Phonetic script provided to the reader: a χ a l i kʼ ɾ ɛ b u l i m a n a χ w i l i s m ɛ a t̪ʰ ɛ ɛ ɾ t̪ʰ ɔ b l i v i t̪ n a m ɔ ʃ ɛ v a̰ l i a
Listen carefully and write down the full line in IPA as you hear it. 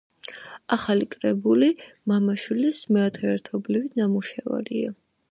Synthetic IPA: a χ a l i kʼ ɾ ɛ b u l i m a m a ʃ w i l i s m ɛ a t̪ʰ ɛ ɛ ɾ t̪ʰ ɔ b l i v i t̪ n a m u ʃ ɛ v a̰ ɾ i a